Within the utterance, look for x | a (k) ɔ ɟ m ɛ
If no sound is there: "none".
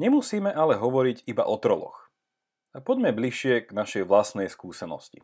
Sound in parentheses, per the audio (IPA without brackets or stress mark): p